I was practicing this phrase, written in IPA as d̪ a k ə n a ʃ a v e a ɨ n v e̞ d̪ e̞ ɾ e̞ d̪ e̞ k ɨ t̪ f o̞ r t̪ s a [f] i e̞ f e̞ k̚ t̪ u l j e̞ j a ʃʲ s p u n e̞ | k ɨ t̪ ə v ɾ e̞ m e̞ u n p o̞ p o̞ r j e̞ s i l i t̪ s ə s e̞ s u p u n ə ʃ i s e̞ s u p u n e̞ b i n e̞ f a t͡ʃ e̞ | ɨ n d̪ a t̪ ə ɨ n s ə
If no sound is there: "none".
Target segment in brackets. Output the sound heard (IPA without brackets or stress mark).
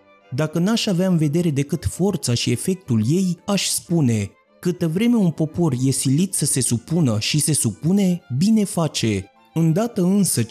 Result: ʃ